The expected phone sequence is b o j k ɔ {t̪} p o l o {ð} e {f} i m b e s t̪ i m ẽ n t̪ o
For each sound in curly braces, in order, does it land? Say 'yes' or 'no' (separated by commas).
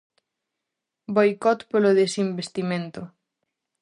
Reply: yes, yes, no